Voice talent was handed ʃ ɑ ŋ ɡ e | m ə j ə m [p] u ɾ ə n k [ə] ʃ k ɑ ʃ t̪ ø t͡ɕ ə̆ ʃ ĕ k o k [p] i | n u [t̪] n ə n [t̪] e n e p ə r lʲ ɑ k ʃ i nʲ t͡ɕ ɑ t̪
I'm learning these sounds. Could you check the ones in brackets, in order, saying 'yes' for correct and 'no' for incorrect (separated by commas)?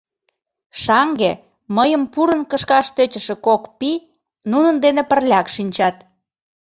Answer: yes, yes, yes, no, no